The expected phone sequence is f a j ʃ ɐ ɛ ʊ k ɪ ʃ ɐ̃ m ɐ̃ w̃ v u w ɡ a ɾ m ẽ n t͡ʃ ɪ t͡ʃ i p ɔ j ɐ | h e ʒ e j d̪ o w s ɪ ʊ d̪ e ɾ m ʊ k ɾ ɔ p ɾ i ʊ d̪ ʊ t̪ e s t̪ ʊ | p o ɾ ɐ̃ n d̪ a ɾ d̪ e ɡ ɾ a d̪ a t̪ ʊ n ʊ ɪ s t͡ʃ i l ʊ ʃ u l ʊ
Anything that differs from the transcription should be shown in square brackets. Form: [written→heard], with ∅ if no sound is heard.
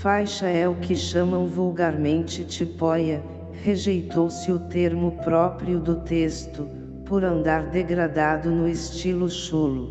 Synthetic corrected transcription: f a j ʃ ɐ ɛ ʊ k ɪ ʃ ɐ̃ m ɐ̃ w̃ v u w ɡ a ɾ m ẽ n t͡ʃ ɪ t͡ʃ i p ɔ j ɐ | h e ʒ e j [d̪→t̪] o w s ɪ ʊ [d̪→t̪] e ɾ m ʊ [k→p] ɾ ɔ p ɾ i ʊ d̪ ʊ t̪ e s t̪ ʊ | p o ɾ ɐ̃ n d̪ a ɾ d̪ e ɡ ɾ a d̪ a [t̪→d̪] ʊ n ʊ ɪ s t͡ʃ i l ʊ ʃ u l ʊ